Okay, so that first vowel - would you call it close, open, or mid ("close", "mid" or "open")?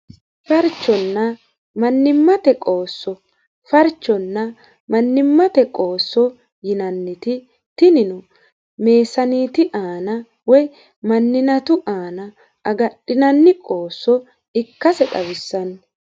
open